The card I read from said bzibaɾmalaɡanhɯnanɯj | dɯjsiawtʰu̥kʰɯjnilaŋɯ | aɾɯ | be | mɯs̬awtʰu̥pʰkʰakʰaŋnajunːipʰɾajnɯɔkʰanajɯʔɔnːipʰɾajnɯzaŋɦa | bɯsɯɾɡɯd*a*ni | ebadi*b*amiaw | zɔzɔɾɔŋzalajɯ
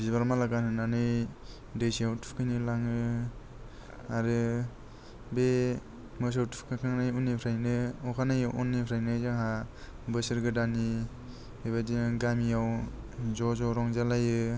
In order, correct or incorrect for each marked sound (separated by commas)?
correct, incorrect